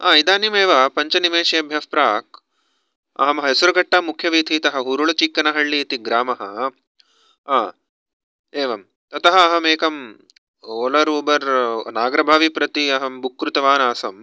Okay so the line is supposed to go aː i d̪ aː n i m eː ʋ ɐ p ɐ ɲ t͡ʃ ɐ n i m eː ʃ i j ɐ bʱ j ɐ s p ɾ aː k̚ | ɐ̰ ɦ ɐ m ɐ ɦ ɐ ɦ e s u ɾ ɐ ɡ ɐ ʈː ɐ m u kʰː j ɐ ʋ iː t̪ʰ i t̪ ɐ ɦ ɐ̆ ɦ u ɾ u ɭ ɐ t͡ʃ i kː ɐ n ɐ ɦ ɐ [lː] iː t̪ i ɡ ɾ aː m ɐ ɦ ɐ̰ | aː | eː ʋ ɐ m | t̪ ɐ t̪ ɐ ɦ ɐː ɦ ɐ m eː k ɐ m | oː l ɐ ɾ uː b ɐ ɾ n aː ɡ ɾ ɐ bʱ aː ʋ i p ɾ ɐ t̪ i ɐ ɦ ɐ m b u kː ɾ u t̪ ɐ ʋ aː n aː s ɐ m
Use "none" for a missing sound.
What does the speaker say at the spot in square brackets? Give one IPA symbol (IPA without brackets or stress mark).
ɭː